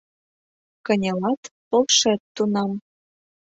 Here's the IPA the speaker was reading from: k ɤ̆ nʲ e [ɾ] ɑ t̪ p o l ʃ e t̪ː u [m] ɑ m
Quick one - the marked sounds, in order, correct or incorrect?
incorrect, incorrect

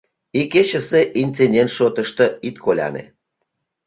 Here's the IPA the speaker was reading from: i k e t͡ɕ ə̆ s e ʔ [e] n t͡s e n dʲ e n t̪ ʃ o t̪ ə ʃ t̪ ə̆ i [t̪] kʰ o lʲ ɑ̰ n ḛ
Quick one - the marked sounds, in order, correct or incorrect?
incorrect, correct

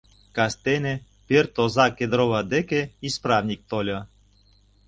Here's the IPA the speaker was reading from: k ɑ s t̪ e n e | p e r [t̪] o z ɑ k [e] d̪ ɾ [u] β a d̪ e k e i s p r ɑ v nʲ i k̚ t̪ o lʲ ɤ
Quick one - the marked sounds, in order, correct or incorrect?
correct, correct, incorrect

